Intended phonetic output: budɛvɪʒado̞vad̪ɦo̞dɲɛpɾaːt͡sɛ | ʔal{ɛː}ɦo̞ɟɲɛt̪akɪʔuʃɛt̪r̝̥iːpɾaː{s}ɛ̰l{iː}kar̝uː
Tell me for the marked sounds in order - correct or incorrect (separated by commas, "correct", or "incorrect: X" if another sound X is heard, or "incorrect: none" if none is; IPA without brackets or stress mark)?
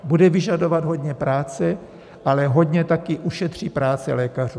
incorrect: ɛ, incorrect: t͡s, incorrect: ɛː